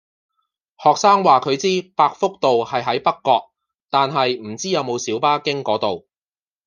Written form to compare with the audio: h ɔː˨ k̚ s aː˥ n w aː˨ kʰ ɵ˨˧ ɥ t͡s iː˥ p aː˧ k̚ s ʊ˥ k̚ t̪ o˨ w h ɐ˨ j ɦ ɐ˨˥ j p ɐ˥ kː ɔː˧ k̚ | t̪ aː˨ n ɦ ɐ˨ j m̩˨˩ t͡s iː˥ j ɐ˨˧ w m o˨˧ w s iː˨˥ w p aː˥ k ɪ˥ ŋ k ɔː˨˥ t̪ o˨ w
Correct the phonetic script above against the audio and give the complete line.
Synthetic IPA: h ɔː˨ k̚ s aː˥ ŋ w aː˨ kʰ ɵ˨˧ ɥ t͡s iː˥ p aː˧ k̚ f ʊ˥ k̚ t̪ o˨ w h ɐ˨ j ɦ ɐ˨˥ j p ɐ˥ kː ɔː˧ k̚ | t̪ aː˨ n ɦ ɐ˨ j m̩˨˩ t͡s iː˥ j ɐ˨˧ w m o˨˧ w s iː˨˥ w p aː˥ k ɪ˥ ŋ k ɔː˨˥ t̪ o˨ w

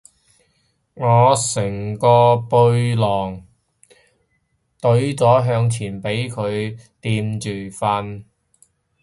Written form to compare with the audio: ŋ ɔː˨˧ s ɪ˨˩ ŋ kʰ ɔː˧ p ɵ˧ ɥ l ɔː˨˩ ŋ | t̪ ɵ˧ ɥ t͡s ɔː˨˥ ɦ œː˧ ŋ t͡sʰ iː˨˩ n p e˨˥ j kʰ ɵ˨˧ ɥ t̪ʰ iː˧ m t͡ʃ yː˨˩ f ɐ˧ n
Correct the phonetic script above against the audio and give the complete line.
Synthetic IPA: ŋ ɔː˨˧ s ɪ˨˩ ŋ k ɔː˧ p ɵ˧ ɥ l ɔː˨˩ ŋ | t̪ ɵ˨˥ ɥ t͡s ɔː˨˥ ɦ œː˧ ŋ t͡sʰ iː˨˩ n p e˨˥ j kʰ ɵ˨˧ ɥ t̪ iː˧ m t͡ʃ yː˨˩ f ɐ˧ n

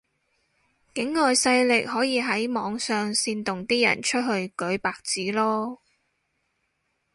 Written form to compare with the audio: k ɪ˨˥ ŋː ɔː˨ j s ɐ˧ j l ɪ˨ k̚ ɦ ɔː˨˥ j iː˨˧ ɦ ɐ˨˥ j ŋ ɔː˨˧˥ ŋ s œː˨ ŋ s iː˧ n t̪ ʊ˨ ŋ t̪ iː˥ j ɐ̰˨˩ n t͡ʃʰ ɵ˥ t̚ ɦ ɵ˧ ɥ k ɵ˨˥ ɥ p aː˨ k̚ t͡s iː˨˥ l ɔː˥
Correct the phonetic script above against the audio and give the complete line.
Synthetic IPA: k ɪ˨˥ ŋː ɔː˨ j s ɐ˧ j l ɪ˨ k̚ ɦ ɔː˨˥ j iː˨˧ ɦ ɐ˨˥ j m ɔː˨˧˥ ŋ s œː˨ ŋ s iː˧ n t̪ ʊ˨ ŋ t̪ iː˥ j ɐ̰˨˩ n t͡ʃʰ ɵ˥ t̚ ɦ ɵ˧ ɥ k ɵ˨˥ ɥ p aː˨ k̚ t͡s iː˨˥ l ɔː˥

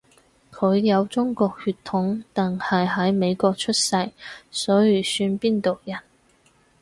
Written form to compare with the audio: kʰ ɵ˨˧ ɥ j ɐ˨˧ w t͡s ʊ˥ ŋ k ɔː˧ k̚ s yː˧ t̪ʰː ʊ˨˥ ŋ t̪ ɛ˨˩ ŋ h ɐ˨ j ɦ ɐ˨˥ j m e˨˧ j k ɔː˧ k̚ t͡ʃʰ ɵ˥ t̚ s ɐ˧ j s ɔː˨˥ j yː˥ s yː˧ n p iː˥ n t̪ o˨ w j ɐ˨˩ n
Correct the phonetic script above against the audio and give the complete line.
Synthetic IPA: kʰ ɵ˨˧ ɥ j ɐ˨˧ w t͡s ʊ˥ ŋ k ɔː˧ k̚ h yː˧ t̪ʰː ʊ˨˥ ŋ t̪ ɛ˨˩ ŋ h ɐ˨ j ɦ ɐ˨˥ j m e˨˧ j k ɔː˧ k̚ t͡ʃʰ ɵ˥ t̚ s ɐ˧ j s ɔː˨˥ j yː˨˩ s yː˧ n p iː˥ n t̪ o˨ w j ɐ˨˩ n

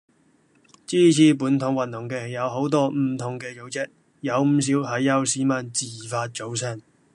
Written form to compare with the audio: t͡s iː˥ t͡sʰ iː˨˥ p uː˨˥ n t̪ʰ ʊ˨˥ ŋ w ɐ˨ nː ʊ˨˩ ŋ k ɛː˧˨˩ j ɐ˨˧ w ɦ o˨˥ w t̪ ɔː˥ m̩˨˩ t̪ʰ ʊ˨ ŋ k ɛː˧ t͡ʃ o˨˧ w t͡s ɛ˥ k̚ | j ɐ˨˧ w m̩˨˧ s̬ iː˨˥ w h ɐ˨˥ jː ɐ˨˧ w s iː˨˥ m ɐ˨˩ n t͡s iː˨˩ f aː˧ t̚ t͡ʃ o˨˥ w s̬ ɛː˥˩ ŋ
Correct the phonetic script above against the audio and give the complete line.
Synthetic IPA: t͡s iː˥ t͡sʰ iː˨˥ p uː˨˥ n t̪ʰ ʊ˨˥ ŋ w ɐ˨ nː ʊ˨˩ ŋ k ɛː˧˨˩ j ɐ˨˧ w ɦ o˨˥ w t̪ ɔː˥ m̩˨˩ t̪ʰ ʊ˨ ŋ k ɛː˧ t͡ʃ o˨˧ w t͡s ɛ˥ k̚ | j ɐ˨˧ w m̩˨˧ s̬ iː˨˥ w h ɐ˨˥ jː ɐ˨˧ w s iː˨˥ m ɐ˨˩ n t͡s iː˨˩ f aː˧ t̚ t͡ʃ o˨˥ w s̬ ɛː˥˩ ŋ

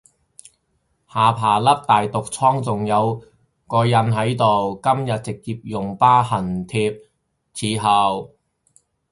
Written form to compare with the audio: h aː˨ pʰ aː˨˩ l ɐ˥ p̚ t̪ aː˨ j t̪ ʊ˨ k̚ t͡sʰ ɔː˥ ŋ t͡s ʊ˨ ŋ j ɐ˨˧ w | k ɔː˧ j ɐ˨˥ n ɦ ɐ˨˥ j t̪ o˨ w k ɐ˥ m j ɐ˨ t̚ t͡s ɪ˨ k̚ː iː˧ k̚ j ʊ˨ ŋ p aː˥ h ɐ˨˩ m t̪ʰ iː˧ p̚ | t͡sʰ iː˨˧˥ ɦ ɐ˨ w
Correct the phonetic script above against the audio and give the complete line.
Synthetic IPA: h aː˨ pʰ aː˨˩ l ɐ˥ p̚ t̪ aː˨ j t̪ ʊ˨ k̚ t͡sʰ ɔː˥ ŋ t͡s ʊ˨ ŋ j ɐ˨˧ w | k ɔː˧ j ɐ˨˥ n ɦ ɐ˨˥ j t̪ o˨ w k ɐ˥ m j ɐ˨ t̚ t͡s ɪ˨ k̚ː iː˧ p̚ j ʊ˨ ŋ p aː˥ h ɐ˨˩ n t̪ʰ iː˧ p̚ | t͡sʰ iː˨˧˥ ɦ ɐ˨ w

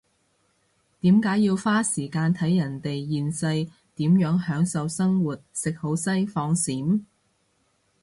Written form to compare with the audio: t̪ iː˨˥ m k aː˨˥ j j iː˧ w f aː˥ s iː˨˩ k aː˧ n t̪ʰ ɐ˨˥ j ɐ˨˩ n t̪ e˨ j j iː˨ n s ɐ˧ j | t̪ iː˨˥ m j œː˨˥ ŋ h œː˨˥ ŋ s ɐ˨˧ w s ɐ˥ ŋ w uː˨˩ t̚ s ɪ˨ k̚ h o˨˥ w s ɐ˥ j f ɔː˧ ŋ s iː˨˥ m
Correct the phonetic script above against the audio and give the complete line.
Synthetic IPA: t̪ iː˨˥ m k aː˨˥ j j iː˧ w f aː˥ s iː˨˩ k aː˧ n t̪ʰ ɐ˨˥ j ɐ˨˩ n t̪ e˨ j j iː˨ n s ɐ˧ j | t̪ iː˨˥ m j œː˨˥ ŋ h œː˨˥ ŋ s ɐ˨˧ w s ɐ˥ ŋ w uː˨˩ t̚ s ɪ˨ k̚ h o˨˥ w s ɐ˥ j f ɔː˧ ŋ s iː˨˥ m

